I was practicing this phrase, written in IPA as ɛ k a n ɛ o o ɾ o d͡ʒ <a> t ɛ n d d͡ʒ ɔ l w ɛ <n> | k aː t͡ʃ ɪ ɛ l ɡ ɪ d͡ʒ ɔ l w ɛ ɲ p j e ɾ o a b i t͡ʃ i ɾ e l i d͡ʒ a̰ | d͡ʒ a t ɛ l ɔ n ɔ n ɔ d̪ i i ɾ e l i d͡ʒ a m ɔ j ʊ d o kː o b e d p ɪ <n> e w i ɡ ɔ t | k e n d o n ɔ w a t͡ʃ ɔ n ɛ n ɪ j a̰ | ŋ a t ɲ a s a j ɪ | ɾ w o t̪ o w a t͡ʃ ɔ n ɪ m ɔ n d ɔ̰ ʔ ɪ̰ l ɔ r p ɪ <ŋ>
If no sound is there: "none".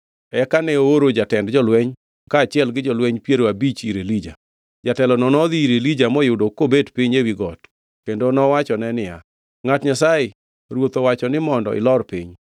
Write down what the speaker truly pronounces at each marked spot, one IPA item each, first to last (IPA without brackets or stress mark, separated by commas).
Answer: a, ɲ, ɲ, ɲ